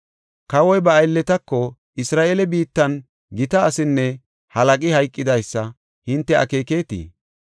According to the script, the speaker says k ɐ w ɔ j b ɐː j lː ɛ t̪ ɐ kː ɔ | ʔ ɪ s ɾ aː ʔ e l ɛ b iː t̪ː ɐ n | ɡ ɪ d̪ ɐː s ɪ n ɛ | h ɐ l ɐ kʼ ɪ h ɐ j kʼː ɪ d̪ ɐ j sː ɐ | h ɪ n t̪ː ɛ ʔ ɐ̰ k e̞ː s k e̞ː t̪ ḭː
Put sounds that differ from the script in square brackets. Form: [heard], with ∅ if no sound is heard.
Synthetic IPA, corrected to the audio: k ɐ w ɔ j b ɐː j lː ɛ t̪ ɐ kː ɔ | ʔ ɪ s ɾ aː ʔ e l ɛ b iː t̪ː ɐ n | ɡ ɪ [t̪] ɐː s ɪ [nː] ɛ | h ɐ l ɐ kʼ ɪ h ɐ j kʼː ɪ d̪ ɐ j sː ɐ | h ɪ n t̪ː ɛ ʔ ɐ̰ k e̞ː [∅] k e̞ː t̪ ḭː